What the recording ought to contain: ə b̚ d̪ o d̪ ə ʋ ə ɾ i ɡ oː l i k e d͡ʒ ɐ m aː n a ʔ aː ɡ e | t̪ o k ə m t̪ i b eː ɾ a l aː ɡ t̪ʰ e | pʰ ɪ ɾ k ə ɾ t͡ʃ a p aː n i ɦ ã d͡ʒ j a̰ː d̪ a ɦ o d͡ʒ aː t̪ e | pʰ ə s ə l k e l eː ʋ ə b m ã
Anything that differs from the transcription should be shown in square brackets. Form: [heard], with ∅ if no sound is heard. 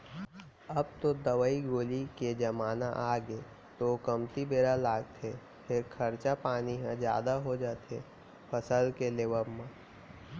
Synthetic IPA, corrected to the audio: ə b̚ [t̪] o d̪ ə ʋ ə [∅] i ɡ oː l i k e d͡ʒ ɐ m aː n a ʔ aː ɡ e | t̪ o k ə m t̪ i b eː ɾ a l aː ɡ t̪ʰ e | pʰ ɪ ɾ [kʰ] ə ɾ t͡ʃ a p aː n i ɦ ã d͡ʒ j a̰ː d̪ a ɦ o d͡ʒ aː t̪ e | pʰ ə s ə l k e l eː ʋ ə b m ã